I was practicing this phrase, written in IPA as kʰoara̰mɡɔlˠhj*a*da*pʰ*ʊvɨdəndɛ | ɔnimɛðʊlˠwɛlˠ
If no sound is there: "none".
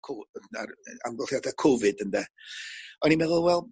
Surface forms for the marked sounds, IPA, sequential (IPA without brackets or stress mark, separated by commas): a, kʰ